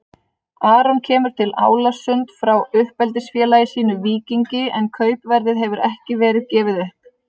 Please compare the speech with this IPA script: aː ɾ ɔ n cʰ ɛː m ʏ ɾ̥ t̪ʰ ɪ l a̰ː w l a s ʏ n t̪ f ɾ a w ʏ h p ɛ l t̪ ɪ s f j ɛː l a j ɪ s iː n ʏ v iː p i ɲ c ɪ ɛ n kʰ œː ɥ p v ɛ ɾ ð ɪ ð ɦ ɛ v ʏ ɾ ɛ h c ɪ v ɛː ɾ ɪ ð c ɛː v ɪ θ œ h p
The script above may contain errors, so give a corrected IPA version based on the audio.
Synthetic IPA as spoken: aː ɾ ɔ n cʰ ɛː m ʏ ɾ̥ t̪ʰ ɪ l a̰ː w l a s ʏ n t̪ f ɾ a w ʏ h p ɛ l t̪ ɪ s f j ɛː l a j ɪ s iː n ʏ v iː c i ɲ c ɪ ɛ n kʰ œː ɥ p v ɛ ɾ ð ɪ ð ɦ ɛ v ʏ ɾ ɛ h c ɪ v ɛː ɾ ɪ ð c ɛː v ɪ ð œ h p